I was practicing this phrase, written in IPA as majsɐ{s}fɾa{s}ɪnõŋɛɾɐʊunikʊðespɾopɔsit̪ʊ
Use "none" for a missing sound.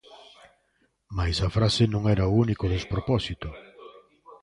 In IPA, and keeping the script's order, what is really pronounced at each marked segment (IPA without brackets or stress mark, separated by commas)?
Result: none, s